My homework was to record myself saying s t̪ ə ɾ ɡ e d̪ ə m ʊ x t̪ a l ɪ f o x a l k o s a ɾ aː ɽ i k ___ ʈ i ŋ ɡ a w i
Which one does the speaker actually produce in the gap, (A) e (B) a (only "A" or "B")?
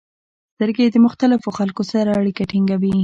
B